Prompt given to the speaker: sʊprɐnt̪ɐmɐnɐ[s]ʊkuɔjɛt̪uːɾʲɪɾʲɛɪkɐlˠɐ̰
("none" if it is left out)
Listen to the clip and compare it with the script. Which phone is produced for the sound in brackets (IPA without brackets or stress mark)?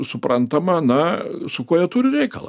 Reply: s